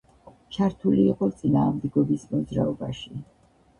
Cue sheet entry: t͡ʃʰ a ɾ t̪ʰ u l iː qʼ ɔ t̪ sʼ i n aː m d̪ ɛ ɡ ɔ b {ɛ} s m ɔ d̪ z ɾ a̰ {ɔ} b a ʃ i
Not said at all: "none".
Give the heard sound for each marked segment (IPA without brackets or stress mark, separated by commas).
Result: i, ɔ